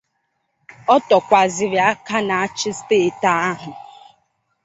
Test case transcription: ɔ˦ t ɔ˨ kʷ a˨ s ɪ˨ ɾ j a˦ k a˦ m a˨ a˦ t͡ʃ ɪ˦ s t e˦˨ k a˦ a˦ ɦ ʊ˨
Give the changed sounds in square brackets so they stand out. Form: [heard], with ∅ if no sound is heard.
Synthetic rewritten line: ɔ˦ t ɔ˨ kʷ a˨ [z] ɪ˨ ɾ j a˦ k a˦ [n] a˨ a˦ t͡ʃ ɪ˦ s t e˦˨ [t] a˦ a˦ ɦ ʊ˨